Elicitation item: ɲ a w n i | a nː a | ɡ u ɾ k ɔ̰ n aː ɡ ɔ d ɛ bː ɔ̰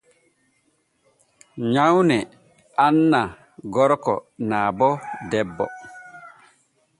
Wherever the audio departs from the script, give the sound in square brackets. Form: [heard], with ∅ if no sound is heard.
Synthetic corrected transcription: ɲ a w n [ɛ] | a nː a | ɡ [ɔ] ɾ k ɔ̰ n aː [b] ɔ d ɛ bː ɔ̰